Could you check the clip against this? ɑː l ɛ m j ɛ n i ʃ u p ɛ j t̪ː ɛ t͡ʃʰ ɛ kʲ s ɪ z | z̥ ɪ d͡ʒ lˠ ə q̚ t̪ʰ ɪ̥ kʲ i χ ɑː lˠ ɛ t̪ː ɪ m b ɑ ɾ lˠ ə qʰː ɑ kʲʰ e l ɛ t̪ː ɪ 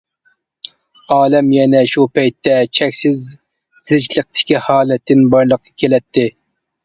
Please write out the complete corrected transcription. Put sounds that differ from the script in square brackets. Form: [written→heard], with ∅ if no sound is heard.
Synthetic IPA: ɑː l ɛ m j ɛ n [i→ɛ] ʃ u p ɛ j t̪ː ɛ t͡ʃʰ ɛ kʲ s ɪ z | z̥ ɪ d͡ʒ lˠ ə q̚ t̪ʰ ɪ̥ kʲ i [χ→h] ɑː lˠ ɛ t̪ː ɪ [m→n] b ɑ ɾ lˠ ə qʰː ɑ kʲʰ e l ɛ t̪ː ɪ